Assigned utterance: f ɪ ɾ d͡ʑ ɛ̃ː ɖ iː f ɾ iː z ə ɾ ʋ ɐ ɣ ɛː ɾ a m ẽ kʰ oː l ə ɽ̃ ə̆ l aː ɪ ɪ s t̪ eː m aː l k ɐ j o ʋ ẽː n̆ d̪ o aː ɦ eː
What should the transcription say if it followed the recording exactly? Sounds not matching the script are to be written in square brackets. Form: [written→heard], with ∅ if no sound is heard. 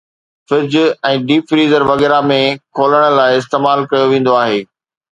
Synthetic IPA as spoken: f ɪ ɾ d͡ʑ ɛ̃ː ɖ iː f ɾ iː z ə ɾ ʋ ɐ ɣ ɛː ɾ a m ẽ kʰ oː l ə ɽ̃ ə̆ l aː ɪ ɪ s t̪ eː m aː l k ɐ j o ʋ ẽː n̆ d̪ o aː ɦ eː